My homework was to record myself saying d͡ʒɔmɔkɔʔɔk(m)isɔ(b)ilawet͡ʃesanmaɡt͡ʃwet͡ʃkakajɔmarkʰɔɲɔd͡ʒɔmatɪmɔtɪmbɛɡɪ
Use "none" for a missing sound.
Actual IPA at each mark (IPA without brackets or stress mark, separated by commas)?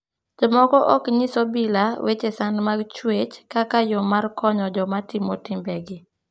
ɲ, b